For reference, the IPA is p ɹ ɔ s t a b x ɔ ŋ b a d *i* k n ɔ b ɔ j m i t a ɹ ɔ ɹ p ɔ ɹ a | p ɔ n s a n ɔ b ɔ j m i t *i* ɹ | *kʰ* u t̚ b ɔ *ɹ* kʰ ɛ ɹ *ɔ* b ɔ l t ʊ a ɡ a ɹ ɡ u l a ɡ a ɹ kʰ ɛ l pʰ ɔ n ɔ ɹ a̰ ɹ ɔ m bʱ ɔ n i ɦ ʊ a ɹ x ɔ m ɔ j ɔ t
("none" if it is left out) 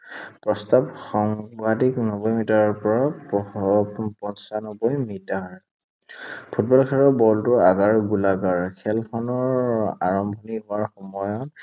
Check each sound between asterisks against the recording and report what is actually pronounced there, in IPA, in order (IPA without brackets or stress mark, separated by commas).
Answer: i, a, pʰ, l, ɔ